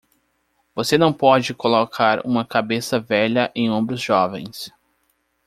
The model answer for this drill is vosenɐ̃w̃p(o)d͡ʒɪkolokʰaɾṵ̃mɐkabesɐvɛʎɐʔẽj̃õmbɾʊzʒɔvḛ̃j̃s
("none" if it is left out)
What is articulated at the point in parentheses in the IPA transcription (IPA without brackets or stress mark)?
ɔ